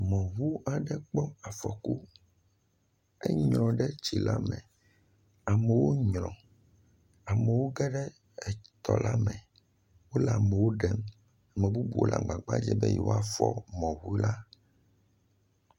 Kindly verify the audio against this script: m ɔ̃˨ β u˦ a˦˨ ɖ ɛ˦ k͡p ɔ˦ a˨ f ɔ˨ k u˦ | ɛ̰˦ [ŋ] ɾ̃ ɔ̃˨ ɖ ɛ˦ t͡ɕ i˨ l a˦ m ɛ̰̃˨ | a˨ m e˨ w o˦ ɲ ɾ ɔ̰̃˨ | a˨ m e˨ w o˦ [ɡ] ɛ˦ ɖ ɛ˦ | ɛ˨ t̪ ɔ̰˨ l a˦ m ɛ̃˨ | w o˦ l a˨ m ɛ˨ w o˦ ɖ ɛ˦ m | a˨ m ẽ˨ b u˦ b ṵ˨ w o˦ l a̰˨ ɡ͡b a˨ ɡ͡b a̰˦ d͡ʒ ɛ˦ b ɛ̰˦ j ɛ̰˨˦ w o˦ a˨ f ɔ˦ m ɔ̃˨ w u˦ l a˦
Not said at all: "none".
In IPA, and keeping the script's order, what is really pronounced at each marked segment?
ɲ, ɡ

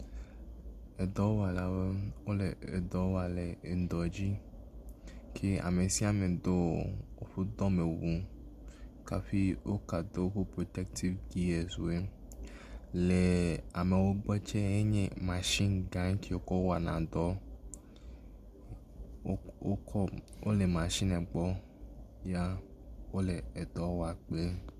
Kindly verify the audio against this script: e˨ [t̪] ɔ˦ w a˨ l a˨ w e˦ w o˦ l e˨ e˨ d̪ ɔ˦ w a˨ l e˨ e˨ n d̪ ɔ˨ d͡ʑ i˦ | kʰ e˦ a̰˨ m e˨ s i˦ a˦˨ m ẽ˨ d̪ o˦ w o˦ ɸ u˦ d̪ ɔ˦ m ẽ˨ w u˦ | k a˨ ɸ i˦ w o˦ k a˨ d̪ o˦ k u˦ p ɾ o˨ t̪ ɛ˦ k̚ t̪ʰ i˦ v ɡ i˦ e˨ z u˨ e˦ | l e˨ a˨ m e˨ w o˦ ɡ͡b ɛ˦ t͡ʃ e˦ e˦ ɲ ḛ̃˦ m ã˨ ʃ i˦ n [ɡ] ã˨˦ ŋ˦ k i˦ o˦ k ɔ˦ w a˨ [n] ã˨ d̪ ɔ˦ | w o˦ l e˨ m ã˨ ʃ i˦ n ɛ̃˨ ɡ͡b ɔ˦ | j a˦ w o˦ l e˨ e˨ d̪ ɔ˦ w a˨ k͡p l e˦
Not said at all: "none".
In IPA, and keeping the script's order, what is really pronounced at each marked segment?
d̪, ɡ, n

